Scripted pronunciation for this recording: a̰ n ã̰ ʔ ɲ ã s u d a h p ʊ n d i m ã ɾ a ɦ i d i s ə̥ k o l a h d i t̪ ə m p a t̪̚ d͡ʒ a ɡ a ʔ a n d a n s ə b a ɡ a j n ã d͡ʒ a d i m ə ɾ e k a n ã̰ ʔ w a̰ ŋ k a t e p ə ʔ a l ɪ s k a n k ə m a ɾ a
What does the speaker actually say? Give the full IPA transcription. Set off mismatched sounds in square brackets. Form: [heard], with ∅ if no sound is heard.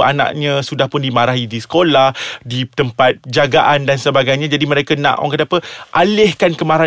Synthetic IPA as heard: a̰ n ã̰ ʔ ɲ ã s u d a h p ʊ n d i m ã ɾ a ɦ i d i s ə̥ k o l a h d i t̪ ə m p a t̪̚ d͡ʒ a ɡ a ʔ a n d a n s ə b a ɡ a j [ɲ] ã d͡ʒ a d i m ə ɾ e k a n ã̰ ʔ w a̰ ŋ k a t [a] p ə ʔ a l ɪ [h] k a n k ə m a ɾ a